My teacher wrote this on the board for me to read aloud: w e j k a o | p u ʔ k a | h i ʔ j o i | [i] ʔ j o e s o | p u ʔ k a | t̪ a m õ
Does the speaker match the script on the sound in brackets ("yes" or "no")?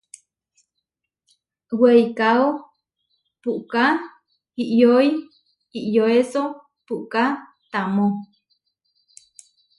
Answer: yes